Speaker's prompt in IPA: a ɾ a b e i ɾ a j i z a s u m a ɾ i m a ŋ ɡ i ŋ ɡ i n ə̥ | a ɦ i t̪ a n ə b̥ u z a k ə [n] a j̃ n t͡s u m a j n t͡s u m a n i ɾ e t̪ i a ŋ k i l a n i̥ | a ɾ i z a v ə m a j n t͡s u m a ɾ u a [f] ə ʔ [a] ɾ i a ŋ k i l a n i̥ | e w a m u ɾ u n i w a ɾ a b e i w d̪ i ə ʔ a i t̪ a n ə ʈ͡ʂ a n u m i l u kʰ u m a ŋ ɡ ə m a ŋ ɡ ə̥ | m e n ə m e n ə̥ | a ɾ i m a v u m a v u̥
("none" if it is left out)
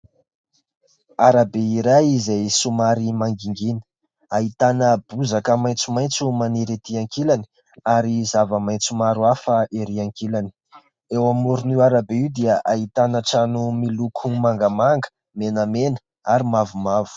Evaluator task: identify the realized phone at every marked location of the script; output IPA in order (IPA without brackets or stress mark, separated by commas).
m, f, e